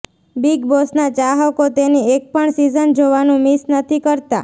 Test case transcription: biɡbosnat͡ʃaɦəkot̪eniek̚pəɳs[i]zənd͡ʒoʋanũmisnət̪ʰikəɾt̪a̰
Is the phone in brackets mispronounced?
no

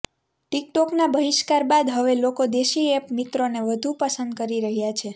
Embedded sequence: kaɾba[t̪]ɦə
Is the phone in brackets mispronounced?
yes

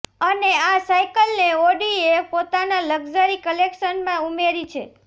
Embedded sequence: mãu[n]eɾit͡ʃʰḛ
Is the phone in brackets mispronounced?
yes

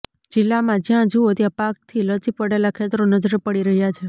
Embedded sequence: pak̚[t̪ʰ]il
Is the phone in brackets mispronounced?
no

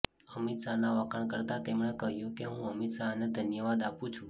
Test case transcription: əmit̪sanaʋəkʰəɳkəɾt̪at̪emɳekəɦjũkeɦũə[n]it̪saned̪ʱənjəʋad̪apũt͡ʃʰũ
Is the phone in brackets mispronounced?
yes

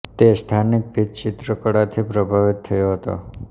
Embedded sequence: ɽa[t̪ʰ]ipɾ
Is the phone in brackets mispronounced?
no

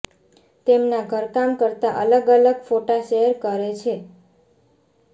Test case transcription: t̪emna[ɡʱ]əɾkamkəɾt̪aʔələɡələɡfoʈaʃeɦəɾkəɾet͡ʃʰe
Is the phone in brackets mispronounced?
no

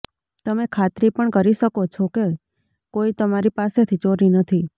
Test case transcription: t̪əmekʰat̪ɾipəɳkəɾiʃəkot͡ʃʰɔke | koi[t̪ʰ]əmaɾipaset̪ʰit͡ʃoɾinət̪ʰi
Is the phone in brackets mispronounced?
yes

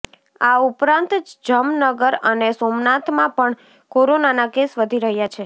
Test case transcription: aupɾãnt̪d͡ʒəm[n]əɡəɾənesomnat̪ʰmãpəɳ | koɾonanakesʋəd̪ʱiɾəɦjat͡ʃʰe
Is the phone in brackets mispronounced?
no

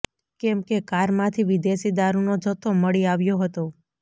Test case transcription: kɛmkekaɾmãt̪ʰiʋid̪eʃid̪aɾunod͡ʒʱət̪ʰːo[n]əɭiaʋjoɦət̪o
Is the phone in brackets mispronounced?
yes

